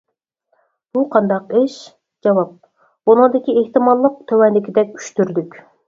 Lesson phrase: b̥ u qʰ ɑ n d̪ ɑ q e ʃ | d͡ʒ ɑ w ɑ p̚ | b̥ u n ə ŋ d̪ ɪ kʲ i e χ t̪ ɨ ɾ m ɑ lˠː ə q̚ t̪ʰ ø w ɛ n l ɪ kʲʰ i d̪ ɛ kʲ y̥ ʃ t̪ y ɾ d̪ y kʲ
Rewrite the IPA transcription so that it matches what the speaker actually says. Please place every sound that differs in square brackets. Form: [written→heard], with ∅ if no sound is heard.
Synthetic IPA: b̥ u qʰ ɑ n d̪ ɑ q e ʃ | d͡ʒ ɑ w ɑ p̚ | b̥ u n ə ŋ d̪ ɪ kʲ i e [χ→h] t̪ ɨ [ɾ→∅] m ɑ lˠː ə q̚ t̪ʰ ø w ɛ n l ɪ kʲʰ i d̪ ɛ kʲ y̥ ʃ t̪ y ɾ d̪ y kʲ